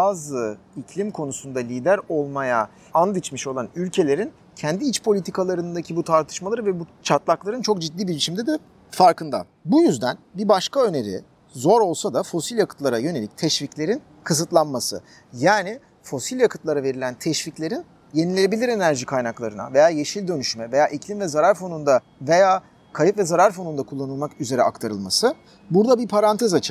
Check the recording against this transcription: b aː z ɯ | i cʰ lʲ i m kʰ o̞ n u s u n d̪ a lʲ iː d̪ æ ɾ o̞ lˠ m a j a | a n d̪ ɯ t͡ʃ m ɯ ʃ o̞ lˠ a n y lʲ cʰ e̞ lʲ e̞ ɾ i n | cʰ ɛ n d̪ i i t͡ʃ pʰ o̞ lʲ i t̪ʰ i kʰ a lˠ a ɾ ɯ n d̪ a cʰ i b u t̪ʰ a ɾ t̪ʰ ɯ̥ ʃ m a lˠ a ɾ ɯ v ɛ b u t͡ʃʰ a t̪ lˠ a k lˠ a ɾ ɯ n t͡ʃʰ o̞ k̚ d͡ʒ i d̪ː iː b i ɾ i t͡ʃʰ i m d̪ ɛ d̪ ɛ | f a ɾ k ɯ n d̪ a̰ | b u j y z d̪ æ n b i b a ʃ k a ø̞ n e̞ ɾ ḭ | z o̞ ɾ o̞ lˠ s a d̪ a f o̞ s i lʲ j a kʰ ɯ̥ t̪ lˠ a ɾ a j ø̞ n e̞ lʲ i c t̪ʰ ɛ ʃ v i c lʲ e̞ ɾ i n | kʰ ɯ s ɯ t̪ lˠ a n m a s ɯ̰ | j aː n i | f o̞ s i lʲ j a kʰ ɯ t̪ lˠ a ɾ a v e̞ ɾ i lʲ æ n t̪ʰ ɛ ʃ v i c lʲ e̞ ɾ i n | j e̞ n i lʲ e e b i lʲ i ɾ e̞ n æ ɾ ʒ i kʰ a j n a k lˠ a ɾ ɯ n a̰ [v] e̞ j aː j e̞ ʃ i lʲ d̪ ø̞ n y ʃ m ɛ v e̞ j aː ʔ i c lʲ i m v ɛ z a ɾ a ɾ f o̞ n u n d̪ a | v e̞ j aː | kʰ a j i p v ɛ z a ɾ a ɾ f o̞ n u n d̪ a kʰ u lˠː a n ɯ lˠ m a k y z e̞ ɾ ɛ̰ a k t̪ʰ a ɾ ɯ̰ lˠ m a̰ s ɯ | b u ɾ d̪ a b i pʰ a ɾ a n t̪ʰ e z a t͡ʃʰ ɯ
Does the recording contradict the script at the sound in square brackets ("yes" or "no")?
no